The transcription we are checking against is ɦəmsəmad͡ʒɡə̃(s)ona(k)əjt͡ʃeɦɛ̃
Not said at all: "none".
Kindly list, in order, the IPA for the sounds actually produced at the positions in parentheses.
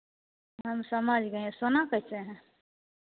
s, k

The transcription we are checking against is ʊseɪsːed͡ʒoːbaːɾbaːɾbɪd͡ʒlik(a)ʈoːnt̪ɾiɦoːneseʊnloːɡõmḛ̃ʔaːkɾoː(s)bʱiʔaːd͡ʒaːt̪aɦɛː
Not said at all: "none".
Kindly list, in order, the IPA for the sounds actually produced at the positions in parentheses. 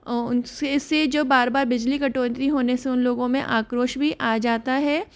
ɐ, ʃ

